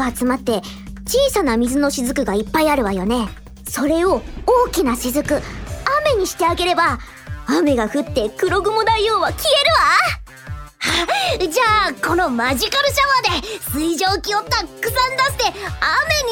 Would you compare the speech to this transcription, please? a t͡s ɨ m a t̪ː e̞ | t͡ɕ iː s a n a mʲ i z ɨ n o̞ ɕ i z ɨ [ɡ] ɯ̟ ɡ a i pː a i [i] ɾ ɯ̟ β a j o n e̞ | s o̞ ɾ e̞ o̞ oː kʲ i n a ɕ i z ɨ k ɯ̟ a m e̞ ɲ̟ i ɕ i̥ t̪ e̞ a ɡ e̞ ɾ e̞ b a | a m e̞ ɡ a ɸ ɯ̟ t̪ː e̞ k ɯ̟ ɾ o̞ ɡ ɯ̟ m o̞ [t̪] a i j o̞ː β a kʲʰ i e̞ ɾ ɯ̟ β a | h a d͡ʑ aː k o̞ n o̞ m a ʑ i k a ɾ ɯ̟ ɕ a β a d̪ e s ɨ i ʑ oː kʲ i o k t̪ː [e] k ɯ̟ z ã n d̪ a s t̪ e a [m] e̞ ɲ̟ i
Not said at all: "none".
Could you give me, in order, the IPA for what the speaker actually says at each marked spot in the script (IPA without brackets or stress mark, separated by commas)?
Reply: k, a, d̪, a, m